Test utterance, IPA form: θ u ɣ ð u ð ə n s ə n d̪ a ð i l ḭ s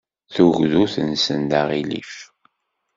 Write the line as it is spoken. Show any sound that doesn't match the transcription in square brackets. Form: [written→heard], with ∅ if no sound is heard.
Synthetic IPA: θ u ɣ ð u [ð→θ] ə n s ə n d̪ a [ð→ʁ] i l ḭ [s→f]